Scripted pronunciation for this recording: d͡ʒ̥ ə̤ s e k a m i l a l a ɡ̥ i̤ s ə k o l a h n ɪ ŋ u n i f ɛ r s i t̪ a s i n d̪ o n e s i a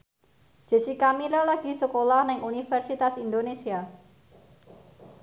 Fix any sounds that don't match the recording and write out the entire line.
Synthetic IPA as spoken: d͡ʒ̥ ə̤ s i k a m i l a l a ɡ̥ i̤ s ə k o l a h n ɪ ŋ u n i f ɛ r s i t̪ a s i n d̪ o n e s i a